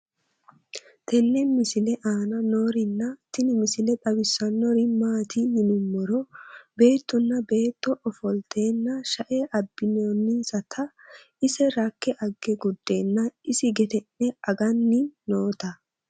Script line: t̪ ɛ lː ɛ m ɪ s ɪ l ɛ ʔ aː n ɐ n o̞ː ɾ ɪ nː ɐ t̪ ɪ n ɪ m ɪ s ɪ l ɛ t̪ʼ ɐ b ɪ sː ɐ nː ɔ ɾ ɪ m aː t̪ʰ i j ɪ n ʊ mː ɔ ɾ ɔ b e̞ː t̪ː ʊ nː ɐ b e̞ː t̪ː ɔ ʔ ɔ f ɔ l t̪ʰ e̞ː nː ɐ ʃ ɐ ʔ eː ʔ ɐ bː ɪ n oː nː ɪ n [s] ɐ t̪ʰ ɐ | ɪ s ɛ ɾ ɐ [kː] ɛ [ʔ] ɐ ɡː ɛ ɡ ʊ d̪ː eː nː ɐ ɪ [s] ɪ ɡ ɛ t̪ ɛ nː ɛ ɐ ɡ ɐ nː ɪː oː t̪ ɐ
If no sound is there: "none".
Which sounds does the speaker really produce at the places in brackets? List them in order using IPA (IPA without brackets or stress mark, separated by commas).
s, kː, ʔ, s